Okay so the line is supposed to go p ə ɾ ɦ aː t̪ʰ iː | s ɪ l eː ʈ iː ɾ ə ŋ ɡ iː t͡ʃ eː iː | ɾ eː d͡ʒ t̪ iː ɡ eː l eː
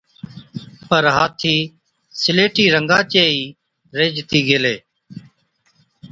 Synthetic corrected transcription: p ə ɾ ɦ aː t̪ʰ iː | s ɪ l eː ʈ iː ɾ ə ŋ ɡ aː t͡ʃ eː iː | ɾ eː d͡ʒ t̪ iː ɡ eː l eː